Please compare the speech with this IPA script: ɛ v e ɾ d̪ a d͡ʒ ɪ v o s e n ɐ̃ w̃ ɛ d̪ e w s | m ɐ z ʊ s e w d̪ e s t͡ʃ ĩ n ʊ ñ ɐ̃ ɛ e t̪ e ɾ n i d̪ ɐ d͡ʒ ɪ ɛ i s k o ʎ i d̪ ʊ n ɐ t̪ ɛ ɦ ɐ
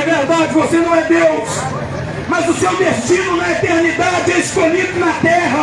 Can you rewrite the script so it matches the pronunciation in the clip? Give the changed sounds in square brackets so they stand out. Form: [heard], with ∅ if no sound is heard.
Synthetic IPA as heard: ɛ v e ɾ d̪ a d͡ʒ ɪ v o s e n ɐ̃ w̃ ɛ d̪ e w s | m ɐ z ʊ s e w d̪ e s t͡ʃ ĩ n ʊ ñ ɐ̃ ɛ e t̪ e ɾ n i d̪ [a] d͡ʒ ɪ ɛ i s k o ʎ i d̪ ʊ n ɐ t̪ ɛ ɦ ɐ